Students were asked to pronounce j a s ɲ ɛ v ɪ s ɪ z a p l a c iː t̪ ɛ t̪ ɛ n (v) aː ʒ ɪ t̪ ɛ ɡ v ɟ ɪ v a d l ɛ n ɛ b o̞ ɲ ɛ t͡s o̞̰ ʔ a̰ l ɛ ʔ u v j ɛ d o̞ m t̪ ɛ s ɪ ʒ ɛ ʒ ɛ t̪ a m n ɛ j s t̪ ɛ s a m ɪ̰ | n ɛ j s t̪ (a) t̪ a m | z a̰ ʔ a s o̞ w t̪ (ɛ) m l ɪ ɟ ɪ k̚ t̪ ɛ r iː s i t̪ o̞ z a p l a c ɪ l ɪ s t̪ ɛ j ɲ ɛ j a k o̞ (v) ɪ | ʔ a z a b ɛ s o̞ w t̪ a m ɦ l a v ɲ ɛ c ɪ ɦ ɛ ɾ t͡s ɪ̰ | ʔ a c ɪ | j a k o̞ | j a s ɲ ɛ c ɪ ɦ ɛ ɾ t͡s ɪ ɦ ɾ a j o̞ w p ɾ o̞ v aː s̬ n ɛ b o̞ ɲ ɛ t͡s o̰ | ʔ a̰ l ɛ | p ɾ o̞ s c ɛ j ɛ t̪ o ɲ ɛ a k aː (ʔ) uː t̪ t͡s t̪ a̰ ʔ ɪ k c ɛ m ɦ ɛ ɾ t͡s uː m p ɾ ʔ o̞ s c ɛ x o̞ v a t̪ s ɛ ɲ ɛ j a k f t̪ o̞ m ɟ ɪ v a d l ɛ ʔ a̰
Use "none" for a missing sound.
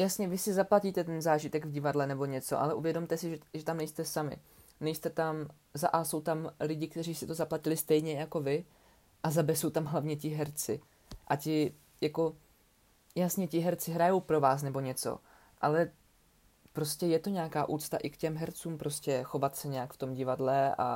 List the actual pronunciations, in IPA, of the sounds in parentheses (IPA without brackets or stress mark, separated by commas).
z, ɛ, a, v, ʔ